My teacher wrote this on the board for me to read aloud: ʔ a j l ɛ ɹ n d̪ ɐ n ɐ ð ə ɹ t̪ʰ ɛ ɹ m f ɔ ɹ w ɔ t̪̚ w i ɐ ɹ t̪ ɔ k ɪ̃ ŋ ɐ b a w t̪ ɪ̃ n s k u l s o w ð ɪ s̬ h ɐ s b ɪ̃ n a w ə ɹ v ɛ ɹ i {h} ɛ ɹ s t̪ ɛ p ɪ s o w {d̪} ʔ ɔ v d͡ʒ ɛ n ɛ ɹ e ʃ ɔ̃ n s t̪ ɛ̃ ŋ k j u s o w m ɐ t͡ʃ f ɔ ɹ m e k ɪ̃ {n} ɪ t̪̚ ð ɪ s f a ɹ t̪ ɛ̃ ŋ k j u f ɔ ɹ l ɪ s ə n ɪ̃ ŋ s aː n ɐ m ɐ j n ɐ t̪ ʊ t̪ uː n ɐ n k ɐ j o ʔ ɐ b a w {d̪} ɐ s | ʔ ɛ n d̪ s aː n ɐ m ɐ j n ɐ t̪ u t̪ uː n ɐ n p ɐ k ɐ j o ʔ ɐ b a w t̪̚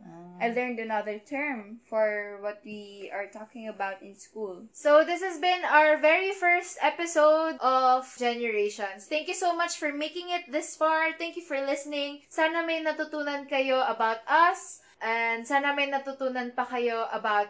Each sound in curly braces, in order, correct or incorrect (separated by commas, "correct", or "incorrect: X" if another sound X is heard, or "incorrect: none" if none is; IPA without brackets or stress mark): incorrect: f, correct, incorrect: ŋ, incorrect: t̪